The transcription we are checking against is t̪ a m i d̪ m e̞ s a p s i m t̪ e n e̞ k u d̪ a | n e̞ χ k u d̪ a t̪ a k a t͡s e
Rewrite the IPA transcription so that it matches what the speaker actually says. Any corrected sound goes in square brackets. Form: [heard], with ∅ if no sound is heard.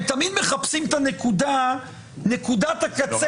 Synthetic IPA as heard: t̪ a m i d̪ m e̞ [χ] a p s i m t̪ [a] n e̞ k u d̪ a | n e̞ [∅] k u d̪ a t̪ a k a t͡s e